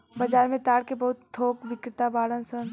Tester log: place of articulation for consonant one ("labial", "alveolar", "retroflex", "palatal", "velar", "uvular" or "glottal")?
labial